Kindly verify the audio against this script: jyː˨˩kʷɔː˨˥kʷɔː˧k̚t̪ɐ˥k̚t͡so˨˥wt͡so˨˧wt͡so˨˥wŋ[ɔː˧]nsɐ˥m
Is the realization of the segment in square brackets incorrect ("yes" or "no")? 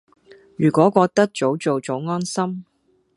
yes